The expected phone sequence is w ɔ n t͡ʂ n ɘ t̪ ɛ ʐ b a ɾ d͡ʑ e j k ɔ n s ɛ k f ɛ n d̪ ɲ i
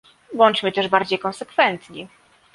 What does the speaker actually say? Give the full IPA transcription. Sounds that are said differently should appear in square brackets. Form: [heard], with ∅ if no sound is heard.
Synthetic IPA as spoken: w ɔ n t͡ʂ [m] ɘ t̪ ɛ ʐ b a ɾ d͡ʑ e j k ɔ n s ɛ k f ɛ n [t̪] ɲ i